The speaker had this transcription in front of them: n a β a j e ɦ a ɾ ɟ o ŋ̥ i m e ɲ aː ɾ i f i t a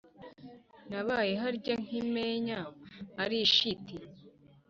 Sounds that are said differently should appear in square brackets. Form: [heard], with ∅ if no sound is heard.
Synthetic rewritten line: n a β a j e ɦ a ɾ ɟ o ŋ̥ i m e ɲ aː ɾ i [ʃ] i t [i]